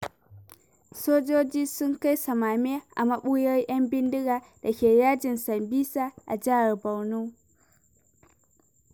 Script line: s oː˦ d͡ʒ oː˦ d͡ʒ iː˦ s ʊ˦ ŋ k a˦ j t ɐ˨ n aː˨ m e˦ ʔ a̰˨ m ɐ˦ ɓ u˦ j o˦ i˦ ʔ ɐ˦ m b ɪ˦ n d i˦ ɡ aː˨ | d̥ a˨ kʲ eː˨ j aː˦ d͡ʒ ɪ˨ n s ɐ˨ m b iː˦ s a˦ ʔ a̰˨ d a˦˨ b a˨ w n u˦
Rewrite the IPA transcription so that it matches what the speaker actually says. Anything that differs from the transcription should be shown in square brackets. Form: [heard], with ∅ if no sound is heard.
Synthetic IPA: s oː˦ d͡ʒ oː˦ d͡ʒ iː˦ s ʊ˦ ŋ k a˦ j [s] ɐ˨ [m] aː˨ m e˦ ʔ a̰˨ m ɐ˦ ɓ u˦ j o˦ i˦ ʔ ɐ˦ m b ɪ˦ n d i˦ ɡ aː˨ | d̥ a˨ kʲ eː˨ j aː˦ d͡ʒ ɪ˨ n s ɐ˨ m b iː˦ s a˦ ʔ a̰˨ [d͡ʒ] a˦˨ b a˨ w n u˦